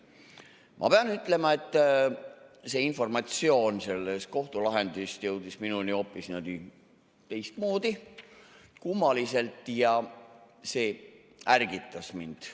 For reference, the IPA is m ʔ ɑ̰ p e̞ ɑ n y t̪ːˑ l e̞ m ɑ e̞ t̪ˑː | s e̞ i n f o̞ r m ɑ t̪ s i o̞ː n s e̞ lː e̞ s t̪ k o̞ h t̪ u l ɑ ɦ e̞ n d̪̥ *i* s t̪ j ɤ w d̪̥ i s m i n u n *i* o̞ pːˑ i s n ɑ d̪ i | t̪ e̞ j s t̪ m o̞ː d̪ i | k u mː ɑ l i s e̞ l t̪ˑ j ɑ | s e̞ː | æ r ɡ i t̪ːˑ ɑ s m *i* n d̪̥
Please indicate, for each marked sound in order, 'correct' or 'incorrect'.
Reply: correct, correct, correct

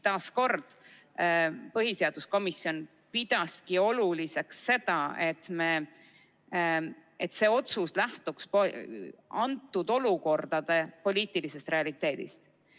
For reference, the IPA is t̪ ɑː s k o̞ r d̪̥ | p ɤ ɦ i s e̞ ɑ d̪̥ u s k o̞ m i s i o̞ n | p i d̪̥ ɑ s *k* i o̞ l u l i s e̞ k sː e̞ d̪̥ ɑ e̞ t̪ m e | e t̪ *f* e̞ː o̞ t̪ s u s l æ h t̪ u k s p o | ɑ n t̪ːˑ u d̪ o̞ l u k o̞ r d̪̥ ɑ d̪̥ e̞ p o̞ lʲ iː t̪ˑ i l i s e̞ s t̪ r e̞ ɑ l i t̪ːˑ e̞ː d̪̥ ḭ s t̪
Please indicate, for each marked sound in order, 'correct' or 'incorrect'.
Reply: correct, incorrect: s

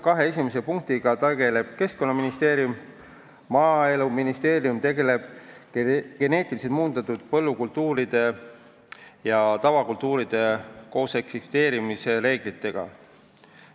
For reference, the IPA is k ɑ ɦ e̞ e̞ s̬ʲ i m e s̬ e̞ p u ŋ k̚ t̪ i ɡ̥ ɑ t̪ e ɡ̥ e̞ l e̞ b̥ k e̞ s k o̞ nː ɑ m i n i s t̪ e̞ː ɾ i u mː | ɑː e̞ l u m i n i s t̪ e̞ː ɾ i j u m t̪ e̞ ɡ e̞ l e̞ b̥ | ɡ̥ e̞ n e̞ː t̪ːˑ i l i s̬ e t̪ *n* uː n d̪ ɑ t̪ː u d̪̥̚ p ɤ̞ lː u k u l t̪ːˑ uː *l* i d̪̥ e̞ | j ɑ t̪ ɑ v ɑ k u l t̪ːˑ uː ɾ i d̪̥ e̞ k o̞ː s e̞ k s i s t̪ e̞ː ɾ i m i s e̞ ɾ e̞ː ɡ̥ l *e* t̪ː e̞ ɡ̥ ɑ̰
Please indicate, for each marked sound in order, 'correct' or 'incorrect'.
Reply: incorrect: m, incorrect: ɾ, incorrect: i

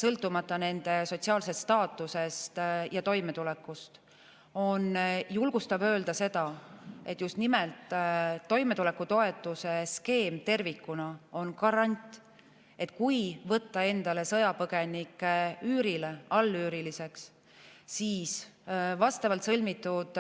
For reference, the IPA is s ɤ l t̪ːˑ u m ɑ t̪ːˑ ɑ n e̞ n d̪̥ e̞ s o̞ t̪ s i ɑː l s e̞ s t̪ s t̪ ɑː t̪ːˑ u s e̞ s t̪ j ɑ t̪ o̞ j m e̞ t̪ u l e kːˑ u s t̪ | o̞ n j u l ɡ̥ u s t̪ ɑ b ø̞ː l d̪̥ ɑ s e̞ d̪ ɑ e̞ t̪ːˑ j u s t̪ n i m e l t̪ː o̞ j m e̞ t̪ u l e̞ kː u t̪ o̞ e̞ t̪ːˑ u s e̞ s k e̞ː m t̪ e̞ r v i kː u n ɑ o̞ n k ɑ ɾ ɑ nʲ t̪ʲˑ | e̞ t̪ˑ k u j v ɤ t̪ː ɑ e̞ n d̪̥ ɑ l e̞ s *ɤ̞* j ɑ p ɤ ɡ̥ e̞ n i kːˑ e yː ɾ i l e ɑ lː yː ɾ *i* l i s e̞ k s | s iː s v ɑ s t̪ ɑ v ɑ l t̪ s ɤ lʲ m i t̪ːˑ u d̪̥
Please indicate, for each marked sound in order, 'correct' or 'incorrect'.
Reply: correct, correct

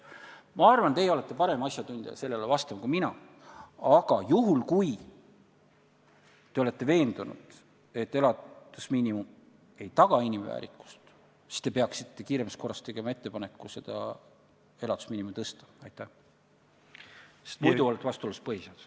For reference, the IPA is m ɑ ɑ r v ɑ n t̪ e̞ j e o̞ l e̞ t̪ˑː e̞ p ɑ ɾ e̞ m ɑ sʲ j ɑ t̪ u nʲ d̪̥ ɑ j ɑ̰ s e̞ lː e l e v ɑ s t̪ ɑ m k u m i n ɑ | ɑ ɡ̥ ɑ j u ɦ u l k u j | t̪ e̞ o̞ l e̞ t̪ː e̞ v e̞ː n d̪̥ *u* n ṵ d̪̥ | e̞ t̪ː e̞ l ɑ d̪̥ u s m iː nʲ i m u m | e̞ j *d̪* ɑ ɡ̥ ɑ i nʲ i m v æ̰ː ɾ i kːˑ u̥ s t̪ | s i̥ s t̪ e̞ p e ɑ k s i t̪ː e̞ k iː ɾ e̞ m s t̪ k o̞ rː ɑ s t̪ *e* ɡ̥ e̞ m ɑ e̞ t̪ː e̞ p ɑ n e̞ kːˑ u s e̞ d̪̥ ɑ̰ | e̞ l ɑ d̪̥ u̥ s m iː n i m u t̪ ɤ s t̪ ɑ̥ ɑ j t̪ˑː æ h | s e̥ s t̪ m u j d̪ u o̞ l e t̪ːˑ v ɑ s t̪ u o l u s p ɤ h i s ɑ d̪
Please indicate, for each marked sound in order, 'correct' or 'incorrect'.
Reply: correct, incorrect: t̪, correct

